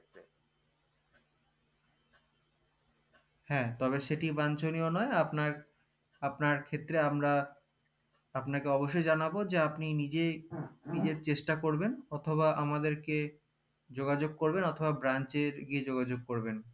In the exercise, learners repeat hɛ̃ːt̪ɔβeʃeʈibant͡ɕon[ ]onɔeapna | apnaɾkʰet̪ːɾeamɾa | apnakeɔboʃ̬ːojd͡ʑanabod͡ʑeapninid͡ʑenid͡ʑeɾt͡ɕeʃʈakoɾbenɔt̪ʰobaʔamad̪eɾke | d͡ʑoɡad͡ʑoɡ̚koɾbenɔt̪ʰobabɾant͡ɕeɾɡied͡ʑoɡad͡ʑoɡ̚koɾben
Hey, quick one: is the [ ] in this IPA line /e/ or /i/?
i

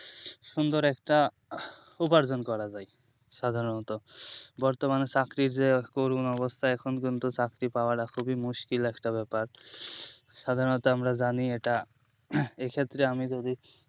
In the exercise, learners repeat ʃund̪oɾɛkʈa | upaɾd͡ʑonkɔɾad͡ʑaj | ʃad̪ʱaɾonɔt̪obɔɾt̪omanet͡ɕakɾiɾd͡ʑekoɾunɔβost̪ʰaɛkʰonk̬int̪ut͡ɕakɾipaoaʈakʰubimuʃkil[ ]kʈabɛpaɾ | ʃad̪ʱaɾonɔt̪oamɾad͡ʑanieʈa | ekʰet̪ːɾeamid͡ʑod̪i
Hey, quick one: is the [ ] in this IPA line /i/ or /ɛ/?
ɛ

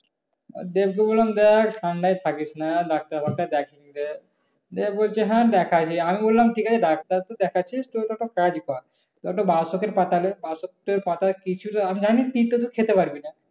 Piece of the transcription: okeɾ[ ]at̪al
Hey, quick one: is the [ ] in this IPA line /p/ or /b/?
p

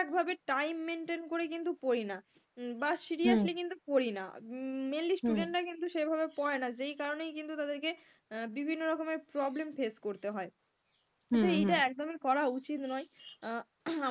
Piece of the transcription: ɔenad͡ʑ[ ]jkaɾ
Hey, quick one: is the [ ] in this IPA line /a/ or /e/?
e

